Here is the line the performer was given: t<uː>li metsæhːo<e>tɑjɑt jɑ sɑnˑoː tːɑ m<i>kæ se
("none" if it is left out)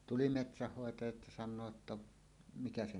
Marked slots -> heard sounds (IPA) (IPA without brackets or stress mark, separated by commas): u, e, i